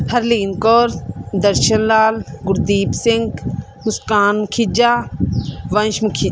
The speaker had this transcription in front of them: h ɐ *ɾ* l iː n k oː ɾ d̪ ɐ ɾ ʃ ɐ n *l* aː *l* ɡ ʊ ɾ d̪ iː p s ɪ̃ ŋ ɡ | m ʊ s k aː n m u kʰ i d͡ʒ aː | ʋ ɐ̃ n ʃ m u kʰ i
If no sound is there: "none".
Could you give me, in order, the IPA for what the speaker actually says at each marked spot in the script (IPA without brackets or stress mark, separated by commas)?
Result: ɾ, l, l